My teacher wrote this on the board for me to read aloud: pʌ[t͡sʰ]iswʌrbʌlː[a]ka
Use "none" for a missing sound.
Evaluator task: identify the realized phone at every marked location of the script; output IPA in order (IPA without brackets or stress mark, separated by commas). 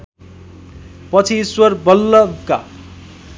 t͡sʰ, ʌ